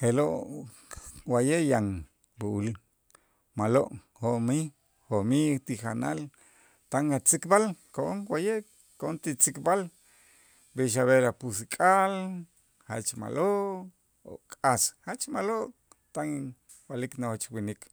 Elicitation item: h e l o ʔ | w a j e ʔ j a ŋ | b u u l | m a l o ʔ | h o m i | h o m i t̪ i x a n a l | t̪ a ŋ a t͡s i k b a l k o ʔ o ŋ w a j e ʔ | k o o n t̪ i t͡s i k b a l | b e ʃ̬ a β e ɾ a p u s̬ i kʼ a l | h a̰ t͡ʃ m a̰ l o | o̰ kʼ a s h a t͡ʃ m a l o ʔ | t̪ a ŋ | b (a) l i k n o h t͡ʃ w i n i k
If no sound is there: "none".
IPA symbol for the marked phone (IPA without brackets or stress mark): a